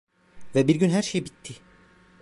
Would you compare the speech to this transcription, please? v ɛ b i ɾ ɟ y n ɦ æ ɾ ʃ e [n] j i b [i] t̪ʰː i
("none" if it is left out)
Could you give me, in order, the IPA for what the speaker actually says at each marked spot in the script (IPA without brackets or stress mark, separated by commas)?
none, i